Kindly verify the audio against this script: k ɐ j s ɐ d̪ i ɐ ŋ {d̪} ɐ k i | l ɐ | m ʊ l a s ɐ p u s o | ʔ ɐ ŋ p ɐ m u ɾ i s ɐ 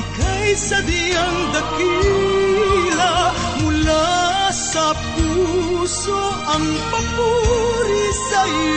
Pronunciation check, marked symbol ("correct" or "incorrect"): correct